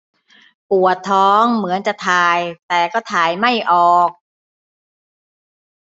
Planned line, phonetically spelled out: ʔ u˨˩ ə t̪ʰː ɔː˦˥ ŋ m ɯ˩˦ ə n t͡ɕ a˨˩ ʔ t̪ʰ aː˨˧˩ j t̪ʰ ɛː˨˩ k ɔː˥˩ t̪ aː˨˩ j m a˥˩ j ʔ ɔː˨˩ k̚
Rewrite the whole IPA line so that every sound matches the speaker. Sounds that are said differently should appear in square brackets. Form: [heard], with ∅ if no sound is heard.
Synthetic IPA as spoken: [p] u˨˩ ə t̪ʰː ɔː˦˥ ŋ m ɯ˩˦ ə n t͡ɕ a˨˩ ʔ t̪ʰ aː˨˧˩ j [t̪] ɛː˨˩ k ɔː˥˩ [t̪ʰ] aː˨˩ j m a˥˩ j ʔ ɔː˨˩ k̚